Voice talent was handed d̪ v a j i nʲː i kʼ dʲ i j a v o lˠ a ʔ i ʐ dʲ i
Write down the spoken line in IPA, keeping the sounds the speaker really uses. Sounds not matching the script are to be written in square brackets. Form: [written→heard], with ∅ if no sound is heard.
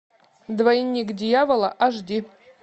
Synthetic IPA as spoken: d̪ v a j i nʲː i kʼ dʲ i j a v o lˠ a ʔ [i→a] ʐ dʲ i